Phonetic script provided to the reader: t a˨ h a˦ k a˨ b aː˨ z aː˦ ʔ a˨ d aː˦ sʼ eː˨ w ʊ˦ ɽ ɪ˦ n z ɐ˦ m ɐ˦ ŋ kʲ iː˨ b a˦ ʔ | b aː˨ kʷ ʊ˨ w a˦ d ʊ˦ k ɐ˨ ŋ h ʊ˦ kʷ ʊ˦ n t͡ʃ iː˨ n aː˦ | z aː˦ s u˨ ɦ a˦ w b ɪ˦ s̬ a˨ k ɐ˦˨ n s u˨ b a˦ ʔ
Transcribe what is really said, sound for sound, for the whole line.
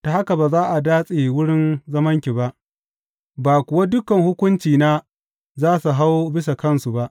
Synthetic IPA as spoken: t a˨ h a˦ k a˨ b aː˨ z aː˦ ʔ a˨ d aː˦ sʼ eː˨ w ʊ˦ ɽ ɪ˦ n z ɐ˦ m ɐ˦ ŋ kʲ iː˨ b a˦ ʔ | b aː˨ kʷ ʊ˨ w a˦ d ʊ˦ k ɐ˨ ŋ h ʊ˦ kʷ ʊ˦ n t͡ʃ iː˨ n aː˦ | z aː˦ s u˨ ɦ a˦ w b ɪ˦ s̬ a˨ k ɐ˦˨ n s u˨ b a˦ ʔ

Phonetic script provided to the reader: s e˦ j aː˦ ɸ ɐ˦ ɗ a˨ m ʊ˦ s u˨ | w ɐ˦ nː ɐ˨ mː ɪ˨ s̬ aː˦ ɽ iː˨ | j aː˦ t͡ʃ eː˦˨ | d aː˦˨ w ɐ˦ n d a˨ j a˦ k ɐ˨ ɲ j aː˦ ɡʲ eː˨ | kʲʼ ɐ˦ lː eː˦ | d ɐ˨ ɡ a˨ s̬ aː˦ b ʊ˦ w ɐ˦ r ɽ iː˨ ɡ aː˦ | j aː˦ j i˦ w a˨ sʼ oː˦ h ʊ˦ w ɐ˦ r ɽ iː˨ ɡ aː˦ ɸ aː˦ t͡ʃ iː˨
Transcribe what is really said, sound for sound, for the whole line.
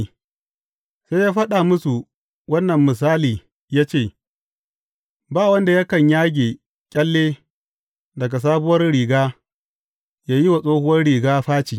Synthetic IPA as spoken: s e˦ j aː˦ ɸ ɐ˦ ɗ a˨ m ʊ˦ s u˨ | w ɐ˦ nː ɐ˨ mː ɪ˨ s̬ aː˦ l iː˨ | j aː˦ t͡ʃ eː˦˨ | b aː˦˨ w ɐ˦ n d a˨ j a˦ k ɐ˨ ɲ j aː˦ ɡʲ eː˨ | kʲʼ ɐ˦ lː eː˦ | d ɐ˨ ɡ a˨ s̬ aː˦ b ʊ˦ w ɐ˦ r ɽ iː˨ ɡ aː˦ | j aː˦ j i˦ w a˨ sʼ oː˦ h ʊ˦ w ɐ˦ r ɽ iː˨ ɡ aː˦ ɸ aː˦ t͡ʃ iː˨

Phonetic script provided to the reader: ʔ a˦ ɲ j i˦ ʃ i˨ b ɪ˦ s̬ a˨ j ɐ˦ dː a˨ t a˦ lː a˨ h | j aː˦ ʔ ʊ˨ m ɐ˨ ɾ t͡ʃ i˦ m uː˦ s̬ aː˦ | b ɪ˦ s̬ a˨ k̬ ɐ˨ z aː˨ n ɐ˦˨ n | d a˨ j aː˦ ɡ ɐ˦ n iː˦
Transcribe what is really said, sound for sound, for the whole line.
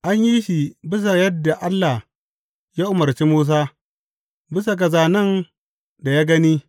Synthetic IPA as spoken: ʔ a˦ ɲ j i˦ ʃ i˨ b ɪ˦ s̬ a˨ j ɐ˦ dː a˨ ʔ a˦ lː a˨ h | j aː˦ ʔ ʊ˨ m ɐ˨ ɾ t͡ʃ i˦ m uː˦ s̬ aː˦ | b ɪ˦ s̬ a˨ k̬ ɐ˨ z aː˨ n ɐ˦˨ n | d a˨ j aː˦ ɡ ɐ˦ n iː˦

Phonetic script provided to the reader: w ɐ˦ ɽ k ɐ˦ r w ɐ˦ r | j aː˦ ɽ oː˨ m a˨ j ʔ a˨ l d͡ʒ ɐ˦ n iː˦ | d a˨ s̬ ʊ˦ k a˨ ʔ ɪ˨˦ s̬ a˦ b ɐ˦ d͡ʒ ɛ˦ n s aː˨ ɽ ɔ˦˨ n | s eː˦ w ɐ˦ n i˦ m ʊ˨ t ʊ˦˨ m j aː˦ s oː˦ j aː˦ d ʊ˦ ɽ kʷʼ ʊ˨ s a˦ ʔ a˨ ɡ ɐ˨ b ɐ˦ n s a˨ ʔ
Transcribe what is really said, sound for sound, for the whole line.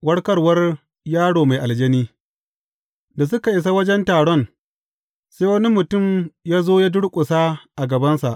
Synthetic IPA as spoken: w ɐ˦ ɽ k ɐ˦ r w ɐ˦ r | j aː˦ ɽ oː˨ m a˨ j ʔ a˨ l d͡ʒ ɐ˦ n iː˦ | d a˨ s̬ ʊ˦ k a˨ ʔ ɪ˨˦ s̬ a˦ w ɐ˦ d͡ʒ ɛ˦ n t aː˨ ɽ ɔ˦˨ n | s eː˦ w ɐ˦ n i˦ m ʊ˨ t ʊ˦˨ m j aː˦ z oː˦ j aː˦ d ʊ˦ ɽ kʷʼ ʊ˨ s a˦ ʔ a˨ ɡ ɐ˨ b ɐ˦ n s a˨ ʔ

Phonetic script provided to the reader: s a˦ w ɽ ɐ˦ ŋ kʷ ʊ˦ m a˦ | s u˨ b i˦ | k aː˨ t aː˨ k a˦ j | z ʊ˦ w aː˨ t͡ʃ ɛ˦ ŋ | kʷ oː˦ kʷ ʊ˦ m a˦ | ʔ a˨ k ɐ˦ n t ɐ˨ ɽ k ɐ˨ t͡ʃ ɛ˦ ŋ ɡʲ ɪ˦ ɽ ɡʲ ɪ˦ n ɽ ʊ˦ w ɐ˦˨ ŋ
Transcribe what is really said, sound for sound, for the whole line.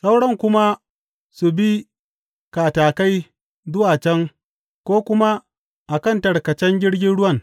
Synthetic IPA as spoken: s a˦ w ɽ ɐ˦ ŋ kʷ ʊ˦ m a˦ | s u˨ b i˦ | k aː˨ t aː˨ k a˦ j | z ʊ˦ w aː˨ t͡ʃ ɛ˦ ŋ | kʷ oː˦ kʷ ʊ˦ m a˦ | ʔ a˨ k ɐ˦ n t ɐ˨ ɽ k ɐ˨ t͡ʃ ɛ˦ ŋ ɡʲ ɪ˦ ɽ ɡʲ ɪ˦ n ɽ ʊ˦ w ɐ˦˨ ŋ

